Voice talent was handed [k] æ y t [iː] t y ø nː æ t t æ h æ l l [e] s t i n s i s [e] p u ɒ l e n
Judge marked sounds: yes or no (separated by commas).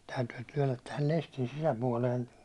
no, no, yes, no